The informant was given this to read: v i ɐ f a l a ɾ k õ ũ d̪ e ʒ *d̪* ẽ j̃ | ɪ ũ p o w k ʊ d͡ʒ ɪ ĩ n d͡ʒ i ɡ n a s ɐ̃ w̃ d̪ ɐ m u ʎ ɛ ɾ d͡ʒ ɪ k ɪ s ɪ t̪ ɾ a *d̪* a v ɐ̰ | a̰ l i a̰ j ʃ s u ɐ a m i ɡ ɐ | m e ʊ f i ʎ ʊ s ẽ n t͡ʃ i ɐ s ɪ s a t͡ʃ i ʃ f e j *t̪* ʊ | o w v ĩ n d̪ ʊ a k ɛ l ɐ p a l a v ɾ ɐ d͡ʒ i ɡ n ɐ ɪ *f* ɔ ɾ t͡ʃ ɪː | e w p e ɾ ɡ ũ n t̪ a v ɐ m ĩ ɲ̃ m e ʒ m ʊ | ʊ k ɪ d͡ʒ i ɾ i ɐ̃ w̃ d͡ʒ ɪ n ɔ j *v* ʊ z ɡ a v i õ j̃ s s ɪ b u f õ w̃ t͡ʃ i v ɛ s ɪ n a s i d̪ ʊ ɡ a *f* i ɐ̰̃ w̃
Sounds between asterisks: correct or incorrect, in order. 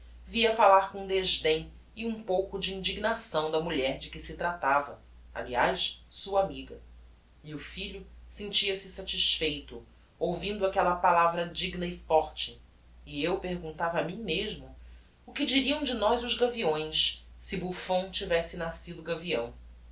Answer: correct, incorrect, correct, correct, incorrect, incorrect

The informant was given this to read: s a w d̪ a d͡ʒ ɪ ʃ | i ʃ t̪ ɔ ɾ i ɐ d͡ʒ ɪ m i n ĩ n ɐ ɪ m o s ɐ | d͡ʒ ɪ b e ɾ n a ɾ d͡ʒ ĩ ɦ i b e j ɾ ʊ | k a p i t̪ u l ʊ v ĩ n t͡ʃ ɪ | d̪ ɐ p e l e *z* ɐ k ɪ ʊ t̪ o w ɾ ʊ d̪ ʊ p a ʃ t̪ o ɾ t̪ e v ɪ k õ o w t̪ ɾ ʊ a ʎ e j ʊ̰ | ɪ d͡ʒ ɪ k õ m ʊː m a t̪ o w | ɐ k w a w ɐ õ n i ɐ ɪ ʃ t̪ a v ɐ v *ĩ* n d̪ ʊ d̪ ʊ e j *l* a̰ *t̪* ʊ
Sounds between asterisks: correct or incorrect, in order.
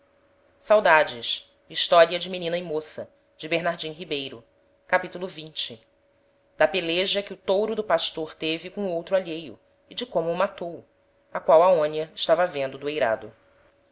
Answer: incorrect, incorrect, incorrect, incorrect

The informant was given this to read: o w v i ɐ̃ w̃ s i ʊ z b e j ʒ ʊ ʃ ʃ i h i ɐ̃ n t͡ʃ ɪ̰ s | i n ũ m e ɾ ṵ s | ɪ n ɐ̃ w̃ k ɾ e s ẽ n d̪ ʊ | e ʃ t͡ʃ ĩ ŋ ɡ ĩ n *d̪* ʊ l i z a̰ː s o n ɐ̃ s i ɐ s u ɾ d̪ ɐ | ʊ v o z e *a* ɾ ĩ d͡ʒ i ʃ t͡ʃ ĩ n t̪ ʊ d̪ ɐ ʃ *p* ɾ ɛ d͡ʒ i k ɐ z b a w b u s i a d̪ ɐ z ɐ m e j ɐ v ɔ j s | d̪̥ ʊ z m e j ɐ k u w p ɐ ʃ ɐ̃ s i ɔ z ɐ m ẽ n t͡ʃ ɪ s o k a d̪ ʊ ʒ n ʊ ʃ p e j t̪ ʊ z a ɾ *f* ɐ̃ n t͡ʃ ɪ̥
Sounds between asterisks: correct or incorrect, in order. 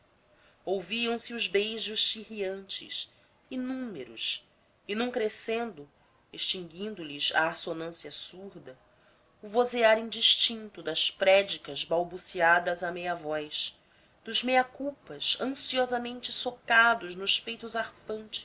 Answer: correct, correct, correct, correct

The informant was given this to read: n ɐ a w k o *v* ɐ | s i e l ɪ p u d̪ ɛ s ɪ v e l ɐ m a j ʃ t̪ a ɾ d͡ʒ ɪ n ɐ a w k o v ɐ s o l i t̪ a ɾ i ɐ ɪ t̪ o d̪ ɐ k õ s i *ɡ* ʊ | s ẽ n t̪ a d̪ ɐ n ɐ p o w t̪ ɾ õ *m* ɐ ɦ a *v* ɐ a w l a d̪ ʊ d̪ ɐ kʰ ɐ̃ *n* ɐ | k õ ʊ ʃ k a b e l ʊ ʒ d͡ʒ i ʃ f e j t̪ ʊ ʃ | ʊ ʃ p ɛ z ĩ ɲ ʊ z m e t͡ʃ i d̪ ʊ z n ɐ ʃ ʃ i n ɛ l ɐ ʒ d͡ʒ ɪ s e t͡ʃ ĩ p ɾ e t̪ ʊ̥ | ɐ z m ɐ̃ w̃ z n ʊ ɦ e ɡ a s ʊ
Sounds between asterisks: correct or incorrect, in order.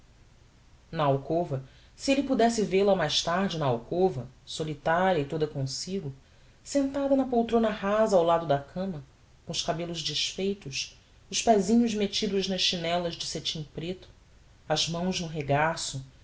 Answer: correct, correct, incorrect, incorrect, incorrect

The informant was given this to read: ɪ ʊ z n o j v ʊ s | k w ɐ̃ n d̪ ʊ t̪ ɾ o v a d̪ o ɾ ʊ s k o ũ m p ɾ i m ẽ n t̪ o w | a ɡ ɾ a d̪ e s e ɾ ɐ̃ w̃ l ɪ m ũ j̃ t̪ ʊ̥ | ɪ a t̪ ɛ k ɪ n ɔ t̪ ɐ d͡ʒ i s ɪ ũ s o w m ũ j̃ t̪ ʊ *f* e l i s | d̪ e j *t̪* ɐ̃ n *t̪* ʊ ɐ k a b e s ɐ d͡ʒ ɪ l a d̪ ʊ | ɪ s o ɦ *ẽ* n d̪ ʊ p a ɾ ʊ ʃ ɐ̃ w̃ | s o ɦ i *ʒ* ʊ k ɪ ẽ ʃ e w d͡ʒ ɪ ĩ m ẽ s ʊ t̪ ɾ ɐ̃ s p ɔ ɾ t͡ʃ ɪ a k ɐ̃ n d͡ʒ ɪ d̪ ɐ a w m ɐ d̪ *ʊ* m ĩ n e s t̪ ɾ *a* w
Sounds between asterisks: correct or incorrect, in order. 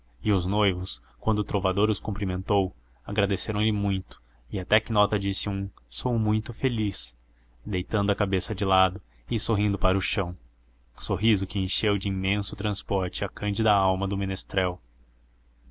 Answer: correct, correct, incorrect, incorrect, incorrect, correct, incorrect

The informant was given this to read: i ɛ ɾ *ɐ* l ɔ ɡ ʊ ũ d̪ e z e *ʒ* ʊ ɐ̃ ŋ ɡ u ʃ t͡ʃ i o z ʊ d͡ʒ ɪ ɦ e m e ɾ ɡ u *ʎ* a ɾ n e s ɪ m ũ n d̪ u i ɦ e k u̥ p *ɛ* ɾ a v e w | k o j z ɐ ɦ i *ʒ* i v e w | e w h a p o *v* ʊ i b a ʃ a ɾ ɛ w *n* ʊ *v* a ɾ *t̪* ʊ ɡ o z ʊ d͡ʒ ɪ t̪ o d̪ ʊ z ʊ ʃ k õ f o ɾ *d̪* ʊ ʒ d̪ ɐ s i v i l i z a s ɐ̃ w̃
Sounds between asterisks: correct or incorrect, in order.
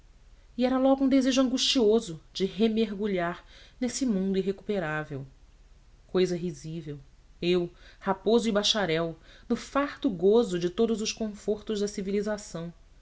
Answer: correct, correct, correct, incorrect, incorrect, incorrect, correct, incorrect, correct, incorrect

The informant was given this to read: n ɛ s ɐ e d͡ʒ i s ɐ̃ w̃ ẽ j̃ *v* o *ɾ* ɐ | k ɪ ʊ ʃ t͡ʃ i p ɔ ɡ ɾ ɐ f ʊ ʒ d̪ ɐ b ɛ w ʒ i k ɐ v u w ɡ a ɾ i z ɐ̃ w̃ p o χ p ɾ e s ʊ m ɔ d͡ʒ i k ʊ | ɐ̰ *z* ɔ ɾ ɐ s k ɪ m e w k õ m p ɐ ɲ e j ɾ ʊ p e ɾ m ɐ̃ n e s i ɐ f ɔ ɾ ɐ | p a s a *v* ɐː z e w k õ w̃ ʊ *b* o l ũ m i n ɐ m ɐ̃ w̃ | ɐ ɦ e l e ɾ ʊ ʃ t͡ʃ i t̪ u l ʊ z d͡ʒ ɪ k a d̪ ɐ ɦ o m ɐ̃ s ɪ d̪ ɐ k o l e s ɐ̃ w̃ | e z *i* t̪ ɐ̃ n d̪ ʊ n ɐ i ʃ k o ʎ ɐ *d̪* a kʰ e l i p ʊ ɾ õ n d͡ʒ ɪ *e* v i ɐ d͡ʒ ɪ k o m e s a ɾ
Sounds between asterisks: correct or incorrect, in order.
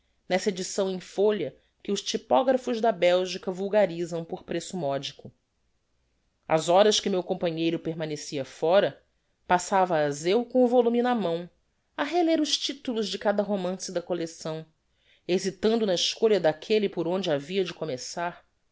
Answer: incorrect, incorrect, correct, correct, incorrect, correct, correct, incorrect

